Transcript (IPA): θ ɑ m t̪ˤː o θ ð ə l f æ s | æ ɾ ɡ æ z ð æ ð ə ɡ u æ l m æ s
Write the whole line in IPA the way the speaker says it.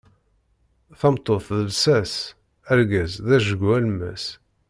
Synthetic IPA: θ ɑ m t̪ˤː o θ ð ə l s æ s | æ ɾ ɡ æ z ð æ ʒ ə ɡ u æ l m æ s